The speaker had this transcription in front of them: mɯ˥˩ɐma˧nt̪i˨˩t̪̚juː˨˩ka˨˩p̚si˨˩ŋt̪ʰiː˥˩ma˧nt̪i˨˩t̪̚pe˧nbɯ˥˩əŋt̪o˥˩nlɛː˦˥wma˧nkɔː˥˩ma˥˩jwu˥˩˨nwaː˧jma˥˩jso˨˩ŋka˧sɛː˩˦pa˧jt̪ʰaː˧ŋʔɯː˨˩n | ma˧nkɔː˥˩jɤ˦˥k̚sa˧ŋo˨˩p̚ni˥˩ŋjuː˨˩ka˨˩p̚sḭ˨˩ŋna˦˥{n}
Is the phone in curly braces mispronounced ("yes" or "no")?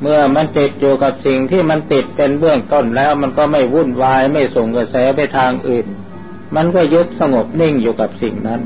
no